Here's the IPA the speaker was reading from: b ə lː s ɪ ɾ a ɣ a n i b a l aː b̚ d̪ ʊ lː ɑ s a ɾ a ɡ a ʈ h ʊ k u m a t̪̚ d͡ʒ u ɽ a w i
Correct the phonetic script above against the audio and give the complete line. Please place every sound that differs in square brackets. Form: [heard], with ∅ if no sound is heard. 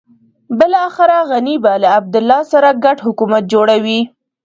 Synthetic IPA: b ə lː [x] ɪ ɾ a ɣ a n i b a l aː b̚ d̪ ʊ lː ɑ s a ɾ a ɡ a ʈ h ʊ k u m a t̪̚ d͡ʒ [o] ɽ a w i